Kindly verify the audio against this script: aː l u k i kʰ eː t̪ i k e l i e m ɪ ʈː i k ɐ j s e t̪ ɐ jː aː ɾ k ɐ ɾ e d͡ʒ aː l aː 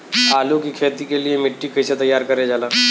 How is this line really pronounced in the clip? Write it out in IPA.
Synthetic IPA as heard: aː l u k i kʰ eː t̪ i k e l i e m ɪ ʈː i k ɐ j s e t̪ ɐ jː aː ɾ k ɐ ɾ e d͡ʒ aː l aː